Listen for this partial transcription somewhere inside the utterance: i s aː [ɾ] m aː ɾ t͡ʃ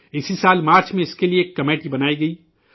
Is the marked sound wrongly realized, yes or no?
yes